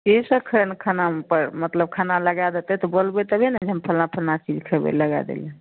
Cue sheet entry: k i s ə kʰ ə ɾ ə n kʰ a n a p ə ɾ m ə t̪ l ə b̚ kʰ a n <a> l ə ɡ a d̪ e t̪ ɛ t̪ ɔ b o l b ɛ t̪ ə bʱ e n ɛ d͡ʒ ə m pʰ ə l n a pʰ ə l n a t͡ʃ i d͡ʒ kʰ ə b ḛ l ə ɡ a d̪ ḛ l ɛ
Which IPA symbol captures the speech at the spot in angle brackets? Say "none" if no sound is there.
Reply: a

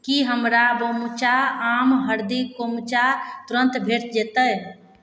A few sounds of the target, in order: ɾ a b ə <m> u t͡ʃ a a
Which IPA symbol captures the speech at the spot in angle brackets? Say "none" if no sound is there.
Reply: m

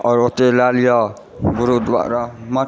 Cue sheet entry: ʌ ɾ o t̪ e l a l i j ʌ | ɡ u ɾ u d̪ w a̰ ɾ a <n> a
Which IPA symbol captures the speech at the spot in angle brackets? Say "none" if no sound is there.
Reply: m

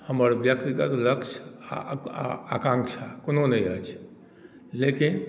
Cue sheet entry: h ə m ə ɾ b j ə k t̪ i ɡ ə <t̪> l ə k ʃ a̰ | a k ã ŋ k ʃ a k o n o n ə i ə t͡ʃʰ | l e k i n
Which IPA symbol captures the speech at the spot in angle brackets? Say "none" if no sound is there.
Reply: t̪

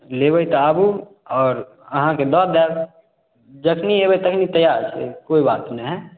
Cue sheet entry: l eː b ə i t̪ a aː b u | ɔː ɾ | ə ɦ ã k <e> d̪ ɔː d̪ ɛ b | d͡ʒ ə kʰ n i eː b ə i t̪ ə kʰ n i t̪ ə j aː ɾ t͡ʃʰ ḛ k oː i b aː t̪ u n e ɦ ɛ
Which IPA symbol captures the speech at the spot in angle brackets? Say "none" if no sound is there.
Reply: e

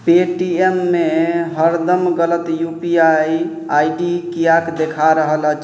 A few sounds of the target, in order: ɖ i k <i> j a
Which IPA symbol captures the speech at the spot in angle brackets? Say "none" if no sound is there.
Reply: i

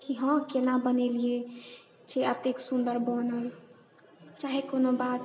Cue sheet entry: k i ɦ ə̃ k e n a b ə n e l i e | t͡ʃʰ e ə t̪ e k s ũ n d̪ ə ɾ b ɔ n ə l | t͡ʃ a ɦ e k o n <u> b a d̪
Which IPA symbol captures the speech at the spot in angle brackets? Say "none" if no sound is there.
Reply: o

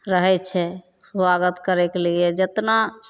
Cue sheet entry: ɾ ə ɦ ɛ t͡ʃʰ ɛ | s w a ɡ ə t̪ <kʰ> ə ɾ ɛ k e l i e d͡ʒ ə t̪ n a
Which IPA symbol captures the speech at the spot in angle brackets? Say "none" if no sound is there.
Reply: k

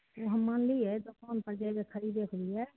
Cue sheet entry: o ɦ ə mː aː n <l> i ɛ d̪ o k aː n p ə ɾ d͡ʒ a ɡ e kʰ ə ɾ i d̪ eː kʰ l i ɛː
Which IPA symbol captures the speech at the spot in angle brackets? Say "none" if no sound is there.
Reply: l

